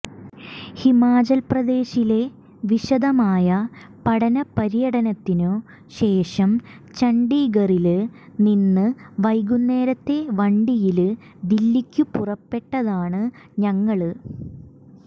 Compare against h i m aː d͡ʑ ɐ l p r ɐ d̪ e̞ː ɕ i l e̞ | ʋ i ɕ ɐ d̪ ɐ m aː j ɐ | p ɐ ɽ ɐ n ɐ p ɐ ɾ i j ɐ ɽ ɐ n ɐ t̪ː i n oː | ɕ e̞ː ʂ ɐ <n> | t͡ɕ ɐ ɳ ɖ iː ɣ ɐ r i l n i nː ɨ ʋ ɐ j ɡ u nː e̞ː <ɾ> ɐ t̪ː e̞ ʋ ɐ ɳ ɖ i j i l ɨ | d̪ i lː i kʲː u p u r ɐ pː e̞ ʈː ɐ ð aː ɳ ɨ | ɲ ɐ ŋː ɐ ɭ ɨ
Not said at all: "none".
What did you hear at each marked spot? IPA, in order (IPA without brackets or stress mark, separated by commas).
m, ɾ